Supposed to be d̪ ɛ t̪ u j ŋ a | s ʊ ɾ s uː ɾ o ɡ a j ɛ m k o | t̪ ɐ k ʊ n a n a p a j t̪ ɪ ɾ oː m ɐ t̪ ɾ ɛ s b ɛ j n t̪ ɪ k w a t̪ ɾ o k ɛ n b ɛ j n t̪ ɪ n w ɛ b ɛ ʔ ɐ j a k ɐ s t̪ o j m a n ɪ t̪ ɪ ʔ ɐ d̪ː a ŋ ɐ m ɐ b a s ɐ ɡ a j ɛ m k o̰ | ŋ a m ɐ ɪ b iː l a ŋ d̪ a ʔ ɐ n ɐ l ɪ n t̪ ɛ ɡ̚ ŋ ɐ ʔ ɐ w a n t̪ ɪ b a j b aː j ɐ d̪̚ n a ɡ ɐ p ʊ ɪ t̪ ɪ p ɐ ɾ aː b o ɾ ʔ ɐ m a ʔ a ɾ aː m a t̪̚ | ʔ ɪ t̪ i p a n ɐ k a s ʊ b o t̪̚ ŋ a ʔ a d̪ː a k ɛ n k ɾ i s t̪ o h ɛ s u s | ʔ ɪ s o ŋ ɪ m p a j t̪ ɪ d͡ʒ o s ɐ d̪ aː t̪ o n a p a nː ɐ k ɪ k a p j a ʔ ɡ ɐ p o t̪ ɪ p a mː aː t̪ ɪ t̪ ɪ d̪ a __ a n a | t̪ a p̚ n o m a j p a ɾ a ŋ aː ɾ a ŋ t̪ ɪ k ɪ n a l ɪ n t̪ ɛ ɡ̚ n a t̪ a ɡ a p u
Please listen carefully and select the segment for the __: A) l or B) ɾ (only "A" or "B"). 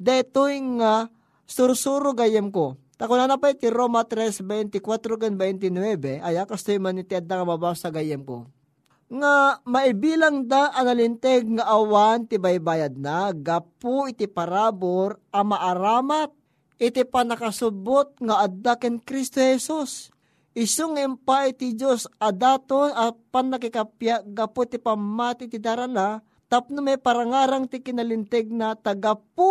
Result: B